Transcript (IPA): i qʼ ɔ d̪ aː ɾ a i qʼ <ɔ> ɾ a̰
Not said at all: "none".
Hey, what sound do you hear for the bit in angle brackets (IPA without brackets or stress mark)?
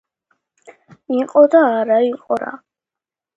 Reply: ɔ